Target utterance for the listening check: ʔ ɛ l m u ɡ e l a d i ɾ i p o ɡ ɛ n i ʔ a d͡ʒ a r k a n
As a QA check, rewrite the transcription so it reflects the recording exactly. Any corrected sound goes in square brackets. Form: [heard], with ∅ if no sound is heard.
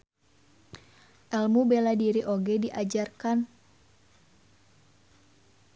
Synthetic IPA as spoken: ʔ ɛ l m u [b] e l a d i ɾ i [ʔ] o ɡ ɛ [d] i ʔ a d͡ʒ a r k a n